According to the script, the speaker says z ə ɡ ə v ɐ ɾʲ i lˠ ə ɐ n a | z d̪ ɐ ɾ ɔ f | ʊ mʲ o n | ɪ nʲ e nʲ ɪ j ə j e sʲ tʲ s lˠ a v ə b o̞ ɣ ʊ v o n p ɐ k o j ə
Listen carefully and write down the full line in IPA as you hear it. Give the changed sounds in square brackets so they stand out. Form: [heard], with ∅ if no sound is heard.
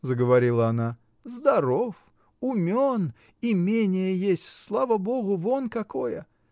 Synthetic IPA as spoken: z ə ɡ ə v ɐ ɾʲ i lˠ ə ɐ n a | z d̪ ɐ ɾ [o] f | ʊ mʲ o n | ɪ [mʲ] e nʲ ɪ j ə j e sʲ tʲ s lˠ a v ə b o̞ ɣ ʊ v o n [k] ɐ k o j ə